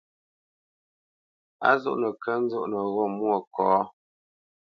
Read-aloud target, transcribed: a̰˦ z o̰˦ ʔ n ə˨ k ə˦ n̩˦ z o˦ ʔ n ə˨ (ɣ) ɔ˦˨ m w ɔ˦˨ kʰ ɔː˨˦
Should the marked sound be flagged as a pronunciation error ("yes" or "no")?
no